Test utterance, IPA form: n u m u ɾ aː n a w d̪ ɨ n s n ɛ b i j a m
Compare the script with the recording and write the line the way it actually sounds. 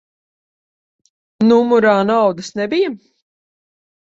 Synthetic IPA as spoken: n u m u ɾ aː n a w d̪ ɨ s n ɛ b i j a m